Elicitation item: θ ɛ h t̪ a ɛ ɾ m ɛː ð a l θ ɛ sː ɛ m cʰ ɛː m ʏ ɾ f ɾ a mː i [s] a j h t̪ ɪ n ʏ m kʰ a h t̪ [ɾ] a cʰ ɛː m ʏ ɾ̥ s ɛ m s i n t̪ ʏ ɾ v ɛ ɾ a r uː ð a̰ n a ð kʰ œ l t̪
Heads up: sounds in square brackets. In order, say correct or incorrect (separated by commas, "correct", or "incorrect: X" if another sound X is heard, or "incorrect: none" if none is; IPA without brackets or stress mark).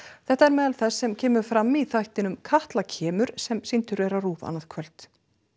incorrect: θ, incorrect: l